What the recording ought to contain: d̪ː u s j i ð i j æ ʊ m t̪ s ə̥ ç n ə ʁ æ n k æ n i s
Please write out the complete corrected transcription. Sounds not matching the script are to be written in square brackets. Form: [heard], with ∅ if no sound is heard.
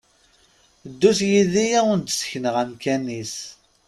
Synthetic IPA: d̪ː u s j i ð i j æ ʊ [n] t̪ s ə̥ ç n ə ʁ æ [m] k æ n i s